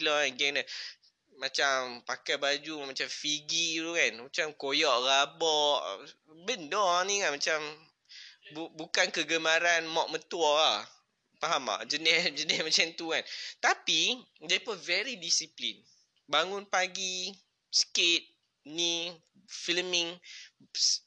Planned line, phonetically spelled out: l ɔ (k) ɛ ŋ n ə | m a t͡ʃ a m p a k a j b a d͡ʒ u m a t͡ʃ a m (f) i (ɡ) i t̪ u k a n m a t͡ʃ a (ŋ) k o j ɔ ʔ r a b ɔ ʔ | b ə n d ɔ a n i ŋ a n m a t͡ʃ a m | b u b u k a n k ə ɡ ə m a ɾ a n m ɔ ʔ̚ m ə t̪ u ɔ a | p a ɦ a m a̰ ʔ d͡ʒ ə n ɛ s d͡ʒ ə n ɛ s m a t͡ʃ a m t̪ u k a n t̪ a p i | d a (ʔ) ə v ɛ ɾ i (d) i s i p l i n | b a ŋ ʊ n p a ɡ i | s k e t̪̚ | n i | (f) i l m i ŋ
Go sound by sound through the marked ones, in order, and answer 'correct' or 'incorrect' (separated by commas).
incorrect, correct, correct, incorrect, incorrect, correct, correct